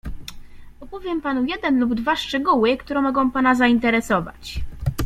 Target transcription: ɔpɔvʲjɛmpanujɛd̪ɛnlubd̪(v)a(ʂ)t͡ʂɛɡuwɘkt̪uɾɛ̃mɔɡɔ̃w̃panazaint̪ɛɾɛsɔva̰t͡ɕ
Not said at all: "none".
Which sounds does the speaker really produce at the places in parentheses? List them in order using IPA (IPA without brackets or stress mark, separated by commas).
v, ʂ